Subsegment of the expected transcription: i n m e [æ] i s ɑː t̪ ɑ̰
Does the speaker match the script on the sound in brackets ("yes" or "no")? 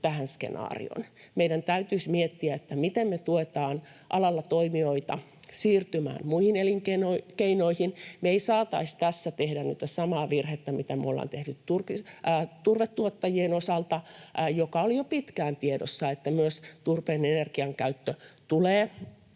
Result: no